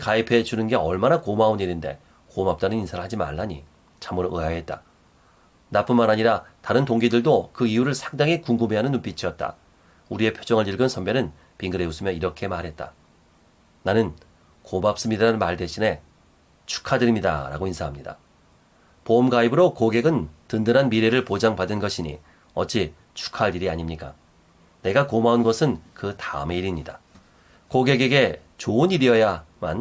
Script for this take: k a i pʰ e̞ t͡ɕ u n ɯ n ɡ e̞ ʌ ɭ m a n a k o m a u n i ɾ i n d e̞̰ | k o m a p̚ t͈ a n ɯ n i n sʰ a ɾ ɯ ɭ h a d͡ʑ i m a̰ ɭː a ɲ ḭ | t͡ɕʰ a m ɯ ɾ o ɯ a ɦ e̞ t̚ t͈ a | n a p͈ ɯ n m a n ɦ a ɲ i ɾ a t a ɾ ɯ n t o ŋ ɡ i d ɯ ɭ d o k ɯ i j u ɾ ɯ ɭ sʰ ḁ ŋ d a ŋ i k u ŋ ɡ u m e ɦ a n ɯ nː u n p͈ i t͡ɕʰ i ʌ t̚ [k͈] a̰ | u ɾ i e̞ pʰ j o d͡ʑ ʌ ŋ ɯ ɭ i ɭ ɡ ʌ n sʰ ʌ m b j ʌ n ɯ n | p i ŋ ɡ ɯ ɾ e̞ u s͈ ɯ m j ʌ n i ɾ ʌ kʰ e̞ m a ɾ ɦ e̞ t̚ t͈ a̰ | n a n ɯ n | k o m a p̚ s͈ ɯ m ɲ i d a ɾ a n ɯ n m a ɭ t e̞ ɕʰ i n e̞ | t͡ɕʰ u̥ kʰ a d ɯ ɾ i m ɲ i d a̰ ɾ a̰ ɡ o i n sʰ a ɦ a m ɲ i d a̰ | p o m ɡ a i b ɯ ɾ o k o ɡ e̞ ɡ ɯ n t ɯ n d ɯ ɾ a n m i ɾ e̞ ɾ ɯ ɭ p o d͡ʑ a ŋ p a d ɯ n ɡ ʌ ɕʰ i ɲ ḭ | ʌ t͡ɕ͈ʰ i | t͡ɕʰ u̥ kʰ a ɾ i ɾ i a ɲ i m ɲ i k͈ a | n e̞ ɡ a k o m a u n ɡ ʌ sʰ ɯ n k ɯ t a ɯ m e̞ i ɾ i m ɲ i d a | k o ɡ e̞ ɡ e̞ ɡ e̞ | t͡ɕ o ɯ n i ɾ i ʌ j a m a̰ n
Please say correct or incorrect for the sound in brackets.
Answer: incorrect